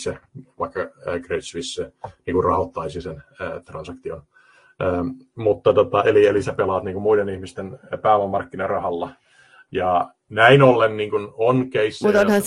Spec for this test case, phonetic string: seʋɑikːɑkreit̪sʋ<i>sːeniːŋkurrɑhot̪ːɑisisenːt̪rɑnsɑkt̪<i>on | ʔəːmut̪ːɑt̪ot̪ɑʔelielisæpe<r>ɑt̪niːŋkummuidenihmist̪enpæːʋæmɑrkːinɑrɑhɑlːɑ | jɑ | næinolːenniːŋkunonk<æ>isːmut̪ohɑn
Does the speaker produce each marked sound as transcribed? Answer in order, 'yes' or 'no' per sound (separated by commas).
yes, yes, no, no